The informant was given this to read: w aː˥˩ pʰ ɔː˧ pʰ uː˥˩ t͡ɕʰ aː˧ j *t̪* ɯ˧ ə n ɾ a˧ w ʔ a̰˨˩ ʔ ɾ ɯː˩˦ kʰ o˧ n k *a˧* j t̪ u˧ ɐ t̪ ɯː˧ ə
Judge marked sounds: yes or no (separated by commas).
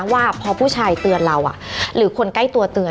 yes, no